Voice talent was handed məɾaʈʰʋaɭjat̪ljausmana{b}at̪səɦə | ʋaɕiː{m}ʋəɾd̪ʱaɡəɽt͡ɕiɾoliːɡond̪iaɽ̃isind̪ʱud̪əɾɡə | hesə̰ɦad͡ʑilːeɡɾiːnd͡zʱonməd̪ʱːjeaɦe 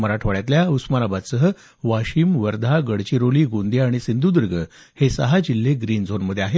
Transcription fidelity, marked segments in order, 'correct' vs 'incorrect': correct, correct

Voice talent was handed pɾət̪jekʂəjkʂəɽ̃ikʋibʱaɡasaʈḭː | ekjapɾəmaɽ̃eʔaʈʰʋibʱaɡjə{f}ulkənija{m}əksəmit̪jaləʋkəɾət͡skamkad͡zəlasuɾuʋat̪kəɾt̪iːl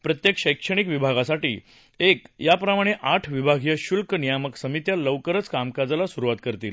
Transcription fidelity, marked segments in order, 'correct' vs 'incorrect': incorrect: ɕ, correct

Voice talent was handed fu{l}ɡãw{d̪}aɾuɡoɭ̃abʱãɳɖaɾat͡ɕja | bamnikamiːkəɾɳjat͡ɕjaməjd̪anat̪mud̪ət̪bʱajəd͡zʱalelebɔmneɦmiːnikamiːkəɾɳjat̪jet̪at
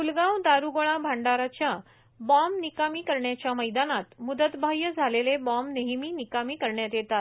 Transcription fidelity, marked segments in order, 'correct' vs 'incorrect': correct, correct

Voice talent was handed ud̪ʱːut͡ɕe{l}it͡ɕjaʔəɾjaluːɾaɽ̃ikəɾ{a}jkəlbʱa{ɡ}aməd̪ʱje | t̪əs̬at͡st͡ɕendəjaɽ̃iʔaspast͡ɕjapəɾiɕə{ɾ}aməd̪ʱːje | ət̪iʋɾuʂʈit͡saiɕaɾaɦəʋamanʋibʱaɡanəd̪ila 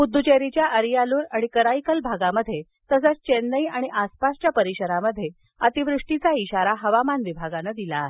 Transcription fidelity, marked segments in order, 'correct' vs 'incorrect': incorrect: ɾ, correct, correct, correct

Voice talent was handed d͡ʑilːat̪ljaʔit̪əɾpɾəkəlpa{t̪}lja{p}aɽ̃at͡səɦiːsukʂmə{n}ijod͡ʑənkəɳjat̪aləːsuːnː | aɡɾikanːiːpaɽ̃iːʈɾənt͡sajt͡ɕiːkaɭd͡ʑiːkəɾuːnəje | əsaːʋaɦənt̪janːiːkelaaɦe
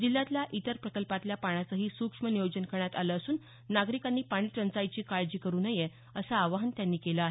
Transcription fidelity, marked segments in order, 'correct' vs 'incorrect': correct, correct, correct

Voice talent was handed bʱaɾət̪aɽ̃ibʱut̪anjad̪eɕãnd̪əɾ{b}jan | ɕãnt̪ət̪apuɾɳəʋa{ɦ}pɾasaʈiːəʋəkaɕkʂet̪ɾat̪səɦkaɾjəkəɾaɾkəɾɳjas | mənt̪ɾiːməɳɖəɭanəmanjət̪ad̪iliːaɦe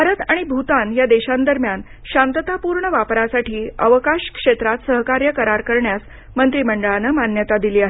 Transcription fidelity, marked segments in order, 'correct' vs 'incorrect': incorrect: m, incorrect: none

